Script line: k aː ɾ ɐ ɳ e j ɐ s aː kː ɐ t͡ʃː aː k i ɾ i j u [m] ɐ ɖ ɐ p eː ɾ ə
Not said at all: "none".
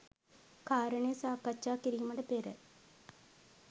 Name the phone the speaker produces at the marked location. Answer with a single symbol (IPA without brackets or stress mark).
m